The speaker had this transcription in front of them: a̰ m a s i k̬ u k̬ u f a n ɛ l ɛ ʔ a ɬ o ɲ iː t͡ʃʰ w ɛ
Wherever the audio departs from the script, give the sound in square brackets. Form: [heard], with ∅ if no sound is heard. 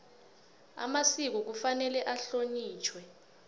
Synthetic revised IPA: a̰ m a s i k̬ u k̬ u f a n ɛ l ɛ ʔ a ɬ o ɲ iː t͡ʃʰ w ɛ